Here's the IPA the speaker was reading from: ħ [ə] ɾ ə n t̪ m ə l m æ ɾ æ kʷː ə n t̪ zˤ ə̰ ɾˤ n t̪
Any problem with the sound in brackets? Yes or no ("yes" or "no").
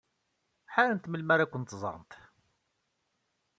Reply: yes